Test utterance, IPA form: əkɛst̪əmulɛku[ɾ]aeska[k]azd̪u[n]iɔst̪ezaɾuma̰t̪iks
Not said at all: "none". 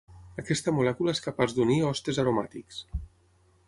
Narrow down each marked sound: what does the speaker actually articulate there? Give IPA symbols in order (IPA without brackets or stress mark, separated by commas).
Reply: l, p, n